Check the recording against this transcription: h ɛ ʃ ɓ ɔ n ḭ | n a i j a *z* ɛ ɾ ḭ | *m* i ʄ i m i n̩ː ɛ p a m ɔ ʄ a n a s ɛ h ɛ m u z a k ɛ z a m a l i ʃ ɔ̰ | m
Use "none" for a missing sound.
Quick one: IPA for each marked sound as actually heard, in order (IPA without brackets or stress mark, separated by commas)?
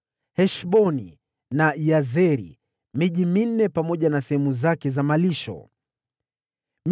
z, m